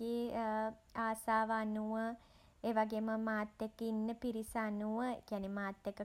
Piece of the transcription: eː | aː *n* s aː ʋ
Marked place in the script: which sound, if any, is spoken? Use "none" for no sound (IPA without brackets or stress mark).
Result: none